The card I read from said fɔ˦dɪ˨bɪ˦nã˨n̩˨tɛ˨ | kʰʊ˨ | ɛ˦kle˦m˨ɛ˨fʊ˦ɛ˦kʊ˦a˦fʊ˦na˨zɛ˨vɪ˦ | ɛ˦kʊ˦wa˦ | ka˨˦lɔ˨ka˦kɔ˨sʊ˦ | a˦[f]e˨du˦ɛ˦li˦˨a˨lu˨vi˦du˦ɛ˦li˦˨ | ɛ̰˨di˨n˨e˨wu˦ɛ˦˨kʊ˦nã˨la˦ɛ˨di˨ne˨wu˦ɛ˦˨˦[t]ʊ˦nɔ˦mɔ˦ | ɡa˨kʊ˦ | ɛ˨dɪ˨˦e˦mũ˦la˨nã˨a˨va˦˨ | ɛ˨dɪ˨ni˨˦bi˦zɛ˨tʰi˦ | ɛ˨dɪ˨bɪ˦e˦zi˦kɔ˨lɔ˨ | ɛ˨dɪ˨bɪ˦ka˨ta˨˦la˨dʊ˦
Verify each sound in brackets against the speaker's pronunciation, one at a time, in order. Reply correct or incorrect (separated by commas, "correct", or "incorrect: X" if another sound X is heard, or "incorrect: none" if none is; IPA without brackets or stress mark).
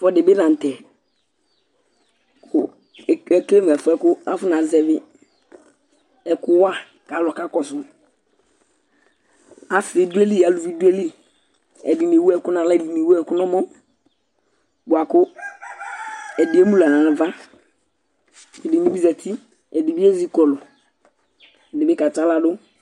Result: correct, incorrect: k